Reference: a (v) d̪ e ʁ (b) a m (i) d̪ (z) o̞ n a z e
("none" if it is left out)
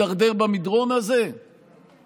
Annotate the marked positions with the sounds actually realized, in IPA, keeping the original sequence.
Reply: ʁ, b, i, ʁ

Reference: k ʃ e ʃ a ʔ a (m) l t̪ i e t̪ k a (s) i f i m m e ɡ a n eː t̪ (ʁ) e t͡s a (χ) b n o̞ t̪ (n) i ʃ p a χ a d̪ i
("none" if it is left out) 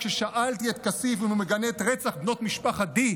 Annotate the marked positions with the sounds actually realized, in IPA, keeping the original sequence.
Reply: none, s, ʁ, χ, m

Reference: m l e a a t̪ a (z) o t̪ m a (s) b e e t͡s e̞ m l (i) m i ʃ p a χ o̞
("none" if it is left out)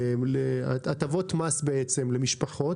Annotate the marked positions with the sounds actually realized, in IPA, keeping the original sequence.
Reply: v, s, e

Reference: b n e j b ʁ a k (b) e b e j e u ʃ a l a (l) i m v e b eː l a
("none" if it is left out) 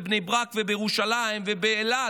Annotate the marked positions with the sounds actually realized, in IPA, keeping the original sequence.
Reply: v, none

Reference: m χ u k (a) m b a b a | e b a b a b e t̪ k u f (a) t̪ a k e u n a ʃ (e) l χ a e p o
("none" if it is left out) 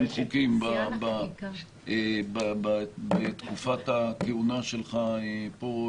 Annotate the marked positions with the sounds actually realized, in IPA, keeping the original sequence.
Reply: i, a, e

